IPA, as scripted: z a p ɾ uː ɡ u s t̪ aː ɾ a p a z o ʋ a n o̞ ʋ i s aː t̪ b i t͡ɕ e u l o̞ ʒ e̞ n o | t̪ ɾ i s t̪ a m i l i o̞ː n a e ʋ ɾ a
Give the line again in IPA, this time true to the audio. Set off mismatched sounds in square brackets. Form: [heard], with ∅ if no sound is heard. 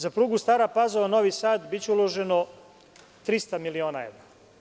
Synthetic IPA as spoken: z a p ɾ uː ɡ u s t̪ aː ɾ a p a z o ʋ a n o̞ ʋ i s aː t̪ b i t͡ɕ e u l o̞ ʒ e̞ n o | t̪ ɾ i s t̪ a m i l i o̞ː n a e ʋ ɾ a